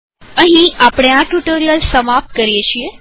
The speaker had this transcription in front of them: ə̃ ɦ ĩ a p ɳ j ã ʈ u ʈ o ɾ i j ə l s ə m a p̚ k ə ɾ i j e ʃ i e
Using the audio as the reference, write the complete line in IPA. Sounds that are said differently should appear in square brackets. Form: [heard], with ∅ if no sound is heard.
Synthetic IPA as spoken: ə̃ ɦ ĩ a p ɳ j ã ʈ u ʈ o ɾ i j ə l s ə m a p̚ k ə ɾ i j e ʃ i e